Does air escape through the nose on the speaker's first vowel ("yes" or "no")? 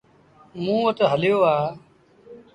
yes